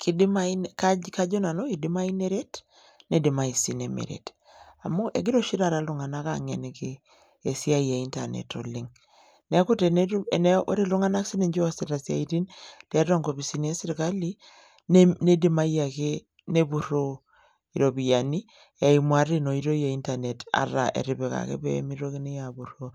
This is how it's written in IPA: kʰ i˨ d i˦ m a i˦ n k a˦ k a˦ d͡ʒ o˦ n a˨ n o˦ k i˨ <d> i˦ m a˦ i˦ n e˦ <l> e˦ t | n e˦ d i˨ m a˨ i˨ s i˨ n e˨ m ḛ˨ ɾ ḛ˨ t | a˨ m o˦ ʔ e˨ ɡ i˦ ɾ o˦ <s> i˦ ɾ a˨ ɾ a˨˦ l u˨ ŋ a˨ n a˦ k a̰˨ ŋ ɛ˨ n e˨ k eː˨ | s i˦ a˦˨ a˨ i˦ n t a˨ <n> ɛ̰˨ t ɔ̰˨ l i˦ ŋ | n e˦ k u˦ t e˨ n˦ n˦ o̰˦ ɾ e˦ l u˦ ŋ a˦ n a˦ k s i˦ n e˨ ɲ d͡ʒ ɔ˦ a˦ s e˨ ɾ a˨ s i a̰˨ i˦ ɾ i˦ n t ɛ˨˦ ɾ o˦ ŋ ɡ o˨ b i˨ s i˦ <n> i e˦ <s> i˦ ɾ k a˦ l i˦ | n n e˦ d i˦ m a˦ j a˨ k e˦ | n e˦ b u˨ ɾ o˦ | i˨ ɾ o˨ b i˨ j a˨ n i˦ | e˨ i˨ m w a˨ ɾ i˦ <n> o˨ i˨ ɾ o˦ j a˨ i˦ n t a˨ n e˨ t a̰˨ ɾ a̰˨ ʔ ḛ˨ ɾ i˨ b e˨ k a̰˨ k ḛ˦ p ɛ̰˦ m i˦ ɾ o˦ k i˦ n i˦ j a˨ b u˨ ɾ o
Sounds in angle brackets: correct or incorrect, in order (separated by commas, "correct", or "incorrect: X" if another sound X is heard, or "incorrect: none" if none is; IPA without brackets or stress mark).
correct, incorrect: ɾ, incorrect: ʃ, correct, correct, correct, correct